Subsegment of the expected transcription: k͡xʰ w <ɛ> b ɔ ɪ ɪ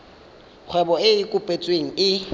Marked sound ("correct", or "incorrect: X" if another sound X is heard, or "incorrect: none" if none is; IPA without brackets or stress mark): correct